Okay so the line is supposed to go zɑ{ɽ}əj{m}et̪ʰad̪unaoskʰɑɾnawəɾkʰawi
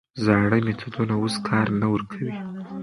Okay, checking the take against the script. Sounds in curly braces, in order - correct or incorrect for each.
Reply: correct, correct

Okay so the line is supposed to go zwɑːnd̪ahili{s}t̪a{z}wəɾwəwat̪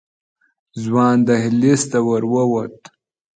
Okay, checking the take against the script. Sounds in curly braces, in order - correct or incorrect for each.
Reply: correct, incorrect

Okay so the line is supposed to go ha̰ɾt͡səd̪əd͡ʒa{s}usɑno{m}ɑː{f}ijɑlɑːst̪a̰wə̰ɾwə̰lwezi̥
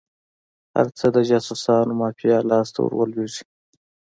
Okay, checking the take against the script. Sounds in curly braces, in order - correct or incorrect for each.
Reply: correct, correct, correct

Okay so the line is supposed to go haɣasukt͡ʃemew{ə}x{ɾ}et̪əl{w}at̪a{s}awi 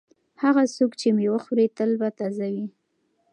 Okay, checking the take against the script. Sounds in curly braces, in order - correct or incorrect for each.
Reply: correct, correct, incorrect, incorrect

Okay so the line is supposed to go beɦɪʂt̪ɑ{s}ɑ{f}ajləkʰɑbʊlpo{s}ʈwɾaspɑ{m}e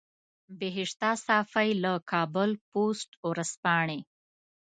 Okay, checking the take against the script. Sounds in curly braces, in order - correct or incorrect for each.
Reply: correct, correct, correct, incorrect

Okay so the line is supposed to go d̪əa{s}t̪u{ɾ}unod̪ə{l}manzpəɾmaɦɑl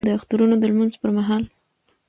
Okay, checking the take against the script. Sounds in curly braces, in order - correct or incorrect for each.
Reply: incorrect, correct, correct

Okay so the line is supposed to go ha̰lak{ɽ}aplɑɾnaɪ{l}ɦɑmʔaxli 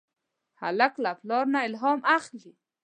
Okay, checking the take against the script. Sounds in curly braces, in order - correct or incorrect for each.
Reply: incorrect, correct

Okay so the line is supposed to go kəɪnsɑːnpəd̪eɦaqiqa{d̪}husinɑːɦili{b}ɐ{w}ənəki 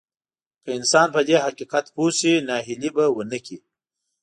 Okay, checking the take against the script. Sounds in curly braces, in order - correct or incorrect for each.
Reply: incorrect, correct, correct

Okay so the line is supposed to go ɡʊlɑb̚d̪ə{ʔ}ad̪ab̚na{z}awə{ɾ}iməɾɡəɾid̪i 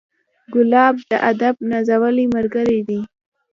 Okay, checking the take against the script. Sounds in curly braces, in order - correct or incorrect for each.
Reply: correct, correct, incorrect

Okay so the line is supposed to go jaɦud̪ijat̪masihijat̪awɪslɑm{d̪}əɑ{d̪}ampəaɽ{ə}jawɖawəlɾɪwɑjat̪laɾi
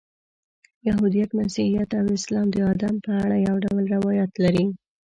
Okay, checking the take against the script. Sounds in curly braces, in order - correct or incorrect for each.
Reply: correct, correct, incorrect

